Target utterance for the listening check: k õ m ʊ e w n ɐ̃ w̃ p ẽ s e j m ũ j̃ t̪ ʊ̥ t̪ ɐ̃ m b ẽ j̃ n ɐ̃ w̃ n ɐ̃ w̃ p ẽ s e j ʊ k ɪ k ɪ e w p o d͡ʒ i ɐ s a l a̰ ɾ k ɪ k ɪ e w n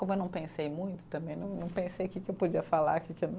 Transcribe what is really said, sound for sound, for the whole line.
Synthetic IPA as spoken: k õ m ʊ e w n ɐ̃ w̃ p ẽ s e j m ũ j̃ t̪ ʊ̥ t̪ ɐ̃ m b ẽ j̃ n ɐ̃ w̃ n ɐ̃ w̃ p ẽ s e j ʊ k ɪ k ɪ e w p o d͡ʒ i ɐ f a l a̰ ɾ k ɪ k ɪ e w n